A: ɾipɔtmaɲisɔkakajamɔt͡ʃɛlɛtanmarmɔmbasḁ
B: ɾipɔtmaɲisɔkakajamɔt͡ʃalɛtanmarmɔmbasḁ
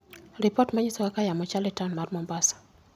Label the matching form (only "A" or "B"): B